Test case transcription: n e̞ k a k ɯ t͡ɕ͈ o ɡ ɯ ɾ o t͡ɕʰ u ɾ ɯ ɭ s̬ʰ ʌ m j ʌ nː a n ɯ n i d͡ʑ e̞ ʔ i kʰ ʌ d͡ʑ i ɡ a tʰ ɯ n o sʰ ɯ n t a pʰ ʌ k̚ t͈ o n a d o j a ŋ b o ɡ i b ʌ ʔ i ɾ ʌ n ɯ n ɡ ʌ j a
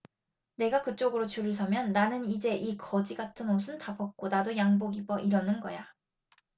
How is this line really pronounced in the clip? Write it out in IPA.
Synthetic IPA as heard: n e̞ ɡ a k ɯ t͡ɕ͈ o ɡ ɯ ɾ o t͡ɕ u ɾ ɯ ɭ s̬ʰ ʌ m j ʌ nː a n ɯ n i d͡ʑ e̞ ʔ i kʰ ʌ d͡ʑ i ɡ a tʰ ɯ n o sʰ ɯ n t a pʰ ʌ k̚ k͈ o n a d o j a ŋ b o ɡ i b ʌ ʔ i ɾ ʌ n ɯ n ɡ ʌ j a